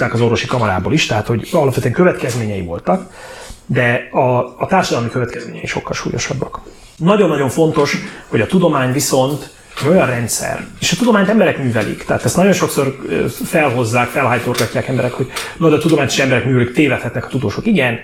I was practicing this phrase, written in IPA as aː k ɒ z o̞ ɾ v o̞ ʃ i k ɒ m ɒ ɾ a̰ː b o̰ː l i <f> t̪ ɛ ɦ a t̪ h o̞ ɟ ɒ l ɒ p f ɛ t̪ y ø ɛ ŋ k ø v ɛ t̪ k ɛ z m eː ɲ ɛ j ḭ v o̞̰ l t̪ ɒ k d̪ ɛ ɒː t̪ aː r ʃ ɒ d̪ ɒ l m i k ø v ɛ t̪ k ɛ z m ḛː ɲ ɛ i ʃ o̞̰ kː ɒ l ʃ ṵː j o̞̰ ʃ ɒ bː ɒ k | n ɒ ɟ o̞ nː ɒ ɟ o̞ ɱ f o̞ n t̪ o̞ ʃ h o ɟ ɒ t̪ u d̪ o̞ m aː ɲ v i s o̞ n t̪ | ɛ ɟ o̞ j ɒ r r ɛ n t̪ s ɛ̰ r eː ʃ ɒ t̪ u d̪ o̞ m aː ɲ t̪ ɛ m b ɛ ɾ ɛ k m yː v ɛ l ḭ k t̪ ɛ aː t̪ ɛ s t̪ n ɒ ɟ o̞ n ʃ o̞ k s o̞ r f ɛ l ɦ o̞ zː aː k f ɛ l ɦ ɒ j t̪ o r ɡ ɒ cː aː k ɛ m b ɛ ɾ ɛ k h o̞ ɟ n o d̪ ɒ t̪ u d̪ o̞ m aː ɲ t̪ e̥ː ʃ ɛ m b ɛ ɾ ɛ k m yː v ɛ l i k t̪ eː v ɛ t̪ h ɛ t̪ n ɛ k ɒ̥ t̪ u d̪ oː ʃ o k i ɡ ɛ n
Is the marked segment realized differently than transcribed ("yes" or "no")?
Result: yes